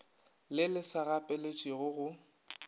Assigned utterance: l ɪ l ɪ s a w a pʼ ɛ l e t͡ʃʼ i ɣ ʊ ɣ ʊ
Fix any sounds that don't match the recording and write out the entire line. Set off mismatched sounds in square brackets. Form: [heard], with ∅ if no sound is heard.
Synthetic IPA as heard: l ɪ l ɪ s a [ɣ] a pʼ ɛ l e t͡ʃʼ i ɣ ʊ ɣ ʊ